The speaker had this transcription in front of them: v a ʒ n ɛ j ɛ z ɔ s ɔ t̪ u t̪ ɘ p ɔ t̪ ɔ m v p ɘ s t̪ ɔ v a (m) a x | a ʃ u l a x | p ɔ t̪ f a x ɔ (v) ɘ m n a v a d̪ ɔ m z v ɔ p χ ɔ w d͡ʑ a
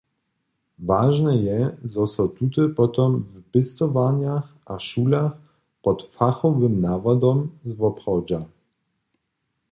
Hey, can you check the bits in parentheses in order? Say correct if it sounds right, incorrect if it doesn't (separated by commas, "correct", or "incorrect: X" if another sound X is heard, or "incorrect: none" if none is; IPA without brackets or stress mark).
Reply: incorrect: ɲ, correct